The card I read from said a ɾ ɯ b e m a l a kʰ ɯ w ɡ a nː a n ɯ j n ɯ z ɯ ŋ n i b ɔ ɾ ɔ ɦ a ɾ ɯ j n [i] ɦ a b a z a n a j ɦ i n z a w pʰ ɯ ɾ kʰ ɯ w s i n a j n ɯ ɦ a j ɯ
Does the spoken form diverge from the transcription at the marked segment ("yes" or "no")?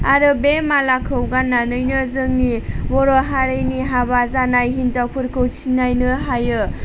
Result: no